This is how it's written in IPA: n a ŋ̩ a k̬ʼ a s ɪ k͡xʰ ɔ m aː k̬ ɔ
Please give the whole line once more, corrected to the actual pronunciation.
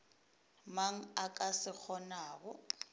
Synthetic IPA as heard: m a ŋ̩ a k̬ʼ a s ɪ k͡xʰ ɔ n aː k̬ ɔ